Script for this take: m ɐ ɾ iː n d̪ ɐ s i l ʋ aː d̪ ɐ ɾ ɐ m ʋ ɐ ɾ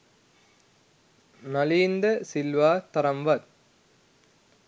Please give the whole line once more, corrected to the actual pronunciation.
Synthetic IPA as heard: n ɐ l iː n d̪ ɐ s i l ʋ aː t̪ ɐ ɾ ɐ m ʋ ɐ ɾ